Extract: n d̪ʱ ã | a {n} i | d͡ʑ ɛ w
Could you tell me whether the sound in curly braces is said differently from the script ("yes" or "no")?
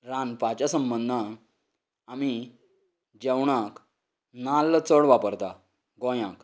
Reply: yes